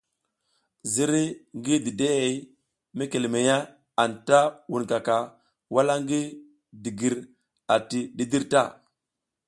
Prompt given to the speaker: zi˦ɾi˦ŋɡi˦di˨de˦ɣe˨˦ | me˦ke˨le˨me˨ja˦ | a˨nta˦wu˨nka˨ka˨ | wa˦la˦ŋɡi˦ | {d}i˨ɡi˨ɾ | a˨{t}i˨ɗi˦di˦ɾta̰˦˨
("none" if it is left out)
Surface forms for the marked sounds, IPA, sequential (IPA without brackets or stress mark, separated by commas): d, t